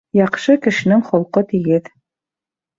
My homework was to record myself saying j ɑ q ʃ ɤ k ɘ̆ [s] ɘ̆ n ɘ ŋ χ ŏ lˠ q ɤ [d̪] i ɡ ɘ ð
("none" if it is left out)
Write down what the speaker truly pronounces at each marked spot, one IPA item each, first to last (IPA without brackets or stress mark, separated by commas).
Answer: ʃ, t̪